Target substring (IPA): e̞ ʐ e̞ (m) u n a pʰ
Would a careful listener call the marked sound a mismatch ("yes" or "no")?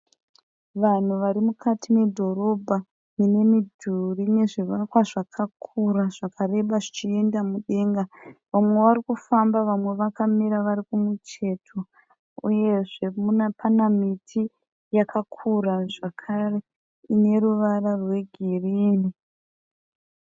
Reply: no